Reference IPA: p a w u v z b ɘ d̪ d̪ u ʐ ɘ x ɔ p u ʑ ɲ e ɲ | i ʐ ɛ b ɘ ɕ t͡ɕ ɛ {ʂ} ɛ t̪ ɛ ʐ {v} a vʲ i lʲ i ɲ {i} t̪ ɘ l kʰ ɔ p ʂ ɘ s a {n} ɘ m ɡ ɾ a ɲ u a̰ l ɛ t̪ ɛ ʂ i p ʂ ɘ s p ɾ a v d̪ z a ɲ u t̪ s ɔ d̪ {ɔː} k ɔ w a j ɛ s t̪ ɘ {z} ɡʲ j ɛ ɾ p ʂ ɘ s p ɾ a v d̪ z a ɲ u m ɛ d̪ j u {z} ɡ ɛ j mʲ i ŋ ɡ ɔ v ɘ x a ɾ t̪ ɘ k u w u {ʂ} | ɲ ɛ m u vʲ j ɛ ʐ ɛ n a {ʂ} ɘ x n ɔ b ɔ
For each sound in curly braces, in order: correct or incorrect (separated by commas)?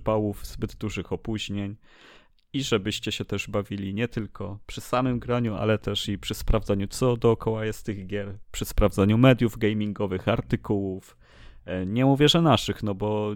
incorrect, incorrect, incorrect, incorrect, correct, incorrect, incorrect, incorrect, correct